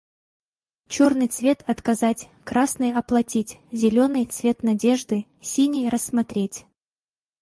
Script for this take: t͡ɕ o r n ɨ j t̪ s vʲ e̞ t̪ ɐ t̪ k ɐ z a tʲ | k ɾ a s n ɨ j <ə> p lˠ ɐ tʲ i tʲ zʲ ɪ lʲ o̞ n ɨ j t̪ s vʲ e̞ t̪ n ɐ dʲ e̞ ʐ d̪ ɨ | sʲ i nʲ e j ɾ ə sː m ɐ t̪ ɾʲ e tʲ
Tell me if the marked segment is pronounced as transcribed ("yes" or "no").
no